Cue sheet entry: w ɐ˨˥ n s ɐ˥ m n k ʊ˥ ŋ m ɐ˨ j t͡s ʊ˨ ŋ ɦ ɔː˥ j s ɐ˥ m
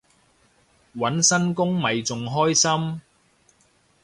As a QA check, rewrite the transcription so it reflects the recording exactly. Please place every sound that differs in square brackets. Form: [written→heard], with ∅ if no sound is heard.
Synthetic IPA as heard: w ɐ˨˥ n s ɐ˥ [m→∅] n k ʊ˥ ŋ m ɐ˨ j t͡s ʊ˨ ŋ ɦ ɔː˥ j s ɐ˥ m